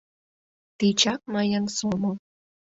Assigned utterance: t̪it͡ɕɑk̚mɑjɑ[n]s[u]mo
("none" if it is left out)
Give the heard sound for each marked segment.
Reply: n, o

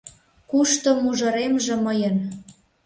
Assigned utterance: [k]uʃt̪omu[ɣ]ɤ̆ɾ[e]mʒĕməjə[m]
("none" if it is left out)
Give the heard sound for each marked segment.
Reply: k, ʒ, e, n

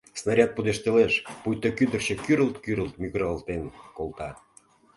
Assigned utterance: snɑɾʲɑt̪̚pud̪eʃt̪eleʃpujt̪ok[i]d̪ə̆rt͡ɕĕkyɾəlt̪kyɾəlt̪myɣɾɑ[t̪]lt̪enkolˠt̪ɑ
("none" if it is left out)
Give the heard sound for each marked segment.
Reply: y, none

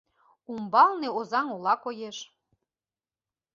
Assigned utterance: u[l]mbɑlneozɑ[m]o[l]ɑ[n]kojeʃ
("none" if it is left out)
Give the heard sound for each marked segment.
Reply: none, ŋ, l, none

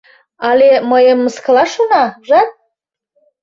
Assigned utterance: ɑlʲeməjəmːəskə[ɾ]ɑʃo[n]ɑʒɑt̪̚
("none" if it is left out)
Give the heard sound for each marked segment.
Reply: l, n

